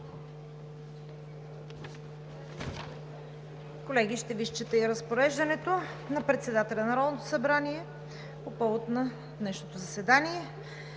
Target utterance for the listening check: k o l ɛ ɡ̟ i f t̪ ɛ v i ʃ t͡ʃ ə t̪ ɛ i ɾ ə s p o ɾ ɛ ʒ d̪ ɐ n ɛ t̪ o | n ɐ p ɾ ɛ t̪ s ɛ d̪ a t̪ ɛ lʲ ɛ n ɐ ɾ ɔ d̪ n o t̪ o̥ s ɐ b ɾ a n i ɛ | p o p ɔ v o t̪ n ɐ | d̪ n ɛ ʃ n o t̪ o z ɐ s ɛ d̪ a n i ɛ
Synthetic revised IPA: k o l ɛ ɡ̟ i ʃ t̪ ɛ v i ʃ t͡ʃ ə t̪ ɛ i ɾ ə s p o ɾ ɛ ʒ d̪ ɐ n ɛ t̪ o | n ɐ p ɾ ɛ t̪ s ɛ d̪ a t̪ ɛ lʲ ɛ n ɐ ɾ ɔ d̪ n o t̪ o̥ s ɐ b ɾ a n i ɛ | p o p ɔ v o t̪ n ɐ | d̪ n ɛ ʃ n o t̪ o z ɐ s ɛ d̪ a n i ɛ